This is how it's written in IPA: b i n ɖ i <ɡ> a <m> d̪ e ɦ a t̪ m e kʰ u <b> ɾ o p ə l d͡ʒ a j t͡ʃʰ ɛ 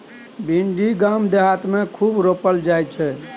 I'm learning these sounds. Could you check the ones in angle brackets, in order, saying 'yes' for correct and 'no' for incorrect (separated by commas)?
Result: yes, yes, yes